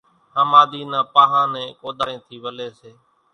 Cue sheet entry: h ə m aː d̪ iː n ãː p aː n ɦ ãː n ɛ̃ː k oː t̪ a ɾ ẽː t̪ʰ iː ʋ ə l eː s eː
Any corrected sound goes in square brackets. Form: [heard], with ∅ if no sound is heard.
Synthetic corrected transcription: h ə m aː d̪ iː n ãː p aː [∅] ɦ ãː n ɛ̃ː k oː [d̪] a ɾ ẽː t̪ʰ iː ʋ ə l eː s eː